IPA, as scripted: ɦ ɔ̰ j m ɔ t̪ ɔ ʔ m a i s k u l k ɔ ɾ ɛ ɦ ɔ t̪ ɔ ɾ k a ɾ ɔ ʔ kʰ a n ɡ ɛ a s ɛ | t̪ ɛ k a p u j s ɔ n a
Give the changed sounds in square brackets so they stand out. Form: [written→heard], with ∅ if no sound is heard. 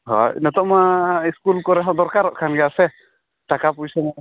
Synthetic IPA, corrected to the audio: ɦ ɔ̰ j [m→n] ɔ t̪ ɔ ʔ m a i s k u l k ɔ ɾ ɛ ɦ ɔ [t̪→d̪] ɔ ɾ k a ɾ ɔ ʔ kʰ a n ɡ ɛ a s ɛ | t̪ [ɛ→a] k a p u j s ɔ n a